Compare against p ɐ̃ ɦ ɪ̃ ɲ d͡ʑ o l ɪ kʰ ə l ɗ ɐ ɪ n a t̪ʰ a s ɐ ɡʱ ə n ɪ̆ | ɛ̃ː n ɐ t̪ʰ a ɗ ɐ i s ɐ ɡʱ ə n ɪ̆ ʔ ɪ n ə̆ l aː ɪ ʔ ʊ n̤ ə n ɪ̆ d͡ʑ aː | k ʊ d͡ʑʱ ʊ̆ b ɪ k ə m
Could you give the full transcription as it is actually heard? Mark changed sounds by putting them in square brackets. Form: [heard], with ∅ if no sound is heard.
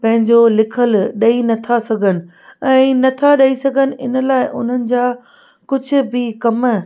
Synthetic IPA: p ɐ̃ ɦ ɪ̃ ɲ d͡ʑ o l ɪ kʰ ə l ɗ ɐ [i] n [ɐ] t̪ʰ a s ɐ ɡʱ ə n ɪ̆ | ɛ̃ː n ɐ t̪ʰ a ɗ ɐ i s ɐ ɡʱ ə n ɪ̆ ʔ ɪ n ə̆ l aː ɪ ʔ ʊ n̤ ə n ɪ̆ d͡ʑ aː | k ʊ d͡ʑʱ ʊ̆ b ɪ k [ɐ] m

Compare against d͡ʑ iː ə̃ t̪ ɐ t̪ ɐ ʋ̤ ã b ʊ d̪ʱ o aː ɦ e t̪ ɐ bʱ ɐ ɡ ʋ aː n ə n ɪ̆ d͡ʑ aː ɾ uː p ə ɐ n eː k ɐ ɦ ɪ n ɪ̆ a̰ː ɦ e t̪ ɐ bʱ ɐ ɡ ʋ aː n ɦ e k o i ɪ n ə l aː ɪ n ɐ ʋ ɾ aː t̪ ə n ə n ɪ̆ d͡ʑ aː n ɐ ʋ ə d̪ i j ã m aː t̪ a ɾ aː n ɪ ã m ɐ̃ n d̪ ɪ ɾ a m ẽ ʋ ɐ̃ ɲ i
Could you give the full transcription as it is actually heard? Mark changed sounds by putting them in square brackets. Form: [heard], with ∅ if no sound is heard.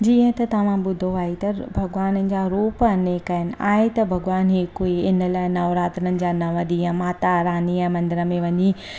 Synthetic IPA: d͡ʑ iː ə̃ t̪ ɐ t̪ ɐ ʋ̤ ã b ʊ d̪ʱ o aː ɦ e t̪ ɐ bʱ ɐ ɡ ʋ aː n ə n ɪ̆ d͡ʑ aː ɾ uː p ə ɐ n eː k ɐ ɦ ɪ n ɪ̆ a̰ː ɦ e t̪ ɐ bʱ ɐ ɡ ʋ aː n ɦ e k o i ɪ n ə l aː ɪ n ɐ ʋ ɾ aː t̪ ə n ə n ɪ̆ d͡ʑ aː n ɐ ʋ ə d̪ i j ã m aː t̪ a ɾ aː n [i] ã m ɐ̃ n d̪ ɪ ɾ [ə] m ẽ ʋ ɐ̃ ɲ i

